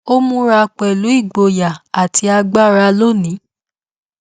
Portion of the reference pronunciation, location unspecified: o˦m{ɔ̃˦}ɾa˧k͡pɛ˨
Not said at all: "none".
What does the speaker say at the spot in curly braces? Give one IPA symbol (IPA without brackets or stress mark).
ũ˦